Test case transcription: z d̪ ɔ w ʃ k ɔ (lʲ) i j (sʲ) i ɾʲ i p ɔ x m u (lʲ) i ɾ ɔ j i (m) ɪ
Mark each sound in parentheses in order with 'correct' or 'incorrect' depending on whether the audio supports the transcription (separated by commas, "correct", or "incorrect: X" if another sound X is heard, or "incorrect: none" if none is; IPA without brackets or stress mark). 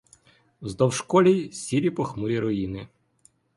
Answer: correct, correct, incorrect: ɾʲ, incorrect: n